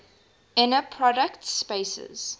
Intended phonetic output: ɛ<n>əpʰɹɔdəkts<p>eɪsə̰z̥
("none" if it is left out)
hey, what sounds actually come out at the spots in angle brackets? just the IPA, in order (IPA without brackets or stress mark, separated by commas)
n, p